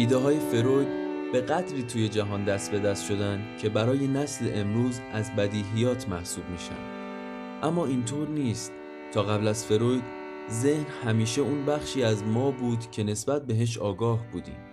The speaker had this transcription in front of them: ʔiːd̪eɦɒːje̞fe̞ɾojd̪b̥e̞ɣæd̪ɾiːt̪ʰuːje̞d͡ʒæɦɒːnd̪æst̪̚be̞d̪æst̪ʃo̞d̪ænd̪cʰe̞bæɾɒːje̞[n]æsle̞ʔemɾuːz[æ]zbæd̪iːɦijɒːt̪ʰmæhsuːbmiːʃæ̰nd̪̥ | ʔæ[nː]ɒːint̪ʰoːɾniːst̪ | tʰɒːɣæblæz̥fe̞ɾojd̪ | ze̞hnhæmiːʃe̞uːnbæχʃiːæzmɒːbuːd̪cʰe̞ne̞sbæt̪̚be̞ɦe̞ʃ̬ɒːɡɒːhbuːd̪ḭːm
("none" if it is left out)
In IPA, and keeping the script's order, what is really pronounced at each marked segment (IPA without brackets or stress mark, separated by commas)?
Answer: n, æ, mː